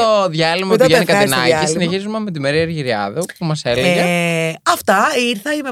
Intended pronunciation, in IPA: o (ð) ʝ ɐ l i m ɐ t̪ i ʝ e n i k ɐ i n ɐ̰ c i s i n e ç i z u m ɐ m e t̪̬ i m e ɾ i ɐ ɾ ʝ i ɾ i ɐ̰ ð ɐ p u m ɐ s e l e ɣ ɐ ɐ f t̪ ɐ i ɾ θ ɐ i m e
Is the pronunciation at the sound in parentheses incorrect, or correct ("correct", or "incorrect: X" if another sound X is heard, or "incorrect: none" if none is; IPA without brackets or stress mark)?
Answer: correct